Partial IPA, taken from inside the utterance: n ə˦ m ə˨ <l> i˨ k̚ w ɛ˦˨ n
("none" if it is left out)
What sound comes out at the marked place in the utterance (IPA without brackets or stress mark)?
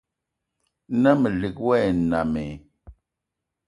l